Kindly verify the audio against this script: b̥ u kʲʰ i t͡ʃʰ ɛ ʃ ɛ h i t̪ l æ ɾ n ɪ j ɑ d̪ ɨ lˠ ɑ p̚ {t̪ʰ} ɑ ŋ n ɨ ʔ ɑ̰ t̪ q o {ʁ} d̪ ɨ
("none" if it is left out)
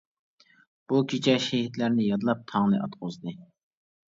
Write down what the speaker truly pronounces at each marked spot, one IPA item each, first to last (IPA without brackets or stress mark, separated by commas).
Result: t̪ʰ, z